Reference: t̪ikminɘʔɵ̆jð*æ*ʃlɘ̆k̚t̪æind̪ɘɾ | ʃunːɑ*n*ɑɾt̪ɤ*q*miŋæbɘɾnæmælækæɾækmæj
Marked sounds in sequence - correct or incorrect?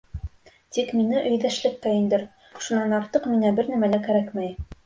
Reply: correct, correct, correct

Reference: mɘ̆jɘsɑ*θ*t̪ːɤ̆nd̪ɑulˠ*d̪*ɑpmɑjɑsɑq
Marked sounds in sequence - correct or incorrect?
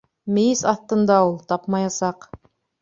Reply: correct, incorrect

